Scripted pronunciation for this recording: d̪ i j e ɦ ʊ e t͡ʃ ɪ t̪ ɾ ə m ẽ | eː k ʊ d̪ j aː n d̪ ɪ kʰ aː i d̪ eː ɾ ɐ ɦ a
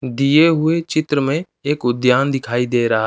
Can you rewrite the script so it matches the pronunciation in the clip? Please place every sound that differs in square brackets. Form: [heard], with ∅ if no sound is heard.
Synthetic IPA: d̪ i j e ɦ ʊ e t͡ʃ ɪ t̪ ɾ ə m ẽ | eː k ʊ d̪ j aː n d̪ ɪ kʰ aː i d̪ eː ɾ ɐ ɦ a